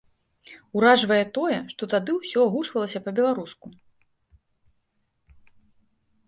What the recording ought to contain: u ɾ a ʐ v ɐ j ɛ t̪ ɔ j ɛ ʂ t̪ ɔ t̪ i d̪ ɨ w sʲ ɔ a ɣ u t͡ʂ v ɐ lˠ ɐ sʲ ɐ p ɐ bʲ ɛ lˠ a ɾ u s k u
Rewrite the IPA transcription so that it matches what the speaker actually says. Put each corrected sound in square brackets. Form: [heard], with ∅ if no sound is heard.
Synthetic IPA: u ɾ a ʐ v ɐ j ɛ t̪ ɔ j ɛ ʂ t̪ ɔ t̪ [a] d̪ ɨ w sʲ ɔ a ɣ u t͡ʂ v ɐ lˠ ɐ sʲ ɐ p ɐ bʲ ɛ lˠ a ɾ u s k u